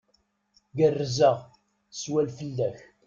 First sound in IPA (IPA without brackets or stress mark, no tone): ɡ